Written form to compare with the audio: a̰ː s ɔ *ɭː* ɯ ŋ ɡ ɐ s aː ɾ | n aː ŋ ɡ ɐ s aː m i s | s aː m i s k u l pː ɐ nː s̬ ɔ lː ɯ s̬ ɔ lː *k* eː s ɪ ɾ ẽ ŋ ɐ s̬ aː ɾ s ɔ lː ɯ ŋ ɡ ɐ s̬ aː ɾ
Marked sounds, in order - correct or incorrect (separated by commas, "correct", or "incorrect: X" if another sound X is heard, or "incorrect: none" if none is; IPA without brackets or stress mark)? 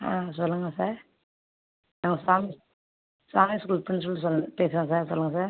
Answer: incorrect: lː, incorrect: p